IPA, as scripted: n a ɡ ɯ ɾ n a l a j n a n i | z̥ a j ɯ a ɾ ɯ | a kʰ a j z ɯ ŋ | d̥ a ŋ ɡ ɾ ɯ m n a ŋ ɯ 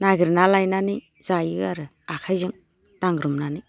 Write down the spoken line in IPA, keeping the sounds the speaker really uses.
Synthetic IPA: n a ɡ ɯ ɾ n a l a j n a n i | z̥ a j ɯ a ɾ ɯ | a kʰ a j z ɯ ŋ | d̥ a ŋ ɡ ɾ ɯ m n a n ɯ

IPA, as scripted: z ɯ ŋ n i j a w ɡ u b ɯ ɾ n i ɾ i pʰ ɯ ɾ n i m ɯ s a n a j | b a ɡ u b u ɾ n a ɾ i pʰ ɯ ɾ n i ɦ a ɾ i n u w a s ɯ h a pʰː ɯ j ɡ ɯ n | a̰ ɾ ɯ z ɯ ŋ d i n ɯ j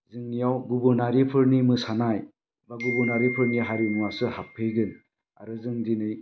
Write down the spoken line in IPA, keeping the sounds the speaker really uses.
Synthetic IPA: z ɯ ŋ n i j a w ɡ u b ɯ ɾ n a ɾ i pʰ ɯ ɾ n i m ɯ s a n a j | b a ɡ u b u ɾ n a ɾ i pʰ ɯ ɾ n i ɦ a ɾ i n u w a s ɯ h a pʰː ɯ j ɡ ɯ n | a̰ ɾ ɯ z ɯ ŋ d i n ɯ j

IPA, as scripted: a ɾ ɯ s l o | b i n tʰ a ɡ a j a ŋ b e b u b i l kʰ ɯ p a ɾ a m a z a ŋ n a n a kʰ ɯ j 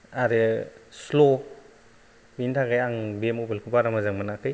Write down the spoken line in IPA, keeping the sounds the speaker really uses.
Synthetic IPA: a ɾ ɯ s l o | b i n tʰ a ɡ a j a ŋ b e m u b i l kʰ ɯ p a ɾ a m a z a ŋ m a n a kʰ ɯ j

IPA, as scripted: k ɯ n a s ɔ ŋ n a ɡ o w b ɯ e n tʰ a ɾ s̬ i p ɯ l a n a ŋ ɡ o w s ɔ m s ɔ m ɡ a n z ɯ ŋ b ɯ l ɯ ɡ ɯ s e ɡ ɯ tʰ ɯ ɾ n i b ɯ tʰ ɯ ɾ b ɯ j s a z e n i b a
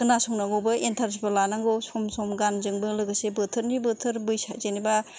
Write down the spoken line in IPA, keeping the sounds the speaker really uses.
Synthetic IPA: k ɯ n a s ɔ ŋ n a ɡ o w b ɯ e n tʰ a ɾ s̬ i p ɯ l a n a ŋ ɡ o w s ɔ m s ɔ m ɡ a n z ɯ ŋ b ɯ l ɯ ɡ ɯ s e b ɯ tʰ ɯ ɾ n i b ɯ tʰ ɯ ɾ b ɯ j s a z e n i b a

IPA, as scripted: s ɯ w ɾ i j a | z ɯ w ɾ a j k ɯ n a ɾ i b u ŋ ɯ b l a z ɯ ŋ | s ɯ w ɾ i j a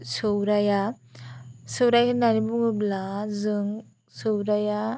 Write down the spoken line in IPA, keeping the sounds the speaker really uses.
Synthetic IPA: s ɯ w ɾ a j a | s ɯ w ɾ a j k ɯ n a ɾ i b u ŋ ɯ b l a z ɯ ŋ | s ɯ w ɾ a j a

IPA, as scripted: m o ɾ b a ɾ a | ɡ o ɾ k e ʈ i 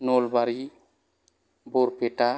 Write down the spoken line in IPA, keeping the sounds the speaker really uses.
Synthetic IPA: n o l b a ɾ i | b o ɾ p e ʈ a

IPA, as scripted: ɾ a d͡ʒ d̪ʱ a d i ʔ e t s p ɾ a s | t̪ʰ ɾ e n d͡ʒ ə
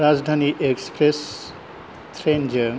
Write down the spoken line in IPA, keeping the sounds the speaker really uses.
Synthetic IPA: ɾ a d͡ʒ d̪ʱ a n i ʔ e k s p ɾ e s | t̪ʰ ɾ e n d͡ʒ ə

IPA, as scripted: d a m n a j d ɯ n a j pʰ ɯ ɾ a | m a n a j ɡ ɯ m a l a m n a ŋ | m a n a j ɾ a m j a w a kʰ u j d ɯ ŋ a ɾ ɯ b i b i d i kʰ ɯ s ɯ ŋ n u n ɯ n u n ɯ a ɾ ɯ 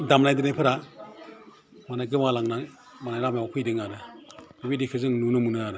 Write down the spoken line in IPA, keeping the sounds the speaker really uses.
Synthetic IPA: d a m n a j d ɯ n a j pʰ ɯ ɾ a | m a n a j ɡ ɯ m a l a ŋ n a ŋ | m a n a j ɾ a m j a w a kʰ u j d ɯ ŋ a ɾ ɯ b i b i d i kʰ ɯ z ɯ ŋ n u n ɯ m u n ɯ a ɾ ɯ

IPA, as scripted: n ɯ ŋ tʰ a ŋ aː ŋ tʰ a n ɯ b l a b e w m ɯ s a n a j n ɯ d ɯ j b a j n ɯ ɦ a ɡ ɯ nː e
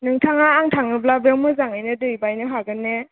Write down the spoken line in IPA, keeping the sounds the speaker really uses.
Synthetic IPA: n ɯ ŋ tʰ a ŋ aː ŋ tʰ a ŋ ɯ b l a b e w m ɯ z a ŋ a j n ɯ d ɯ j b a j n ɯ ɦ a ɡ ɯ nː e

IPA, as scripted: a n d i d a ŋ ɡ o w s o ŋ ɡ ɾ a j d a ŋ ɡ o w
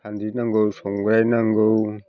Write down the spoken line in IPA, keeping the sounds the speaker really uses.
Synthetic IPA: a n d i n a ŋ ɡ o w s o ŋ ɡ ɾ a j n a ŋ ɡ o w

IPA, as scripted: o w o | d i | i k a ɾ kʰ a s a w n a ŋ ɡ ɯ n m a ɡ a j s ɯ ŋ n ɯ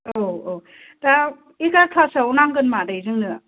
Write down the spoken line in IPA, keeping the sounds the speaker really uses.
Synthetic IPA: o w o | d a | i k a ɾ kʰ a s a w n a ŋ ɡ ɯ n m a d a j z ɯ ŋ n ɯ

